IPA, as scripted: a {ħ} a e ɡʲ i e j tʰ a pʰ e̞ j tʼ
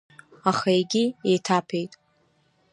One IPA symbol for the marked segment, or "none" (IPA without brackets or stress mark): χ